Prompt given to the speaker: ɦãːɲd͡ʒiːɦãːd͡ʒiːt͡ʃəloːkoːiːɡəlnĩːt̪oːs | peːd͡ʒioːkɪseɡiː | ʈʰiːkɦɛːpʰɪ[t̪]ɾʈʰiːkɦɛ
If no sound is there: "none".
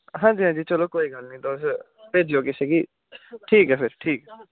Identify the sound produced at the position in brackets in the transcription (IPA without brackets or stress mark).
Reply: none